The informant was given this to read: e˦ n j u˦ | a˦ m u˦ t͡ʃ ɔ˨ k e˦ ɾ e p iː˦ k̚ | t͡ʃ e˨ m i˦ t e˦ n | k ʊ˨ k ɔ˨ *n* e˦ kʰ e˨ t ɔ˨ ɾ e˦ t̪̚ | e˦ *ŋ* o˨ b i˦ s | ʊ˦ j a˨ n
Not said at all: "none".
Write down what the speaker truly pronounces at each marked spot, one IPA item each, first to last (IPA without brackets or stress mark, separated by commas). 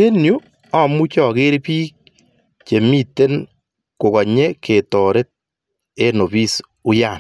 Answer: ɲ, n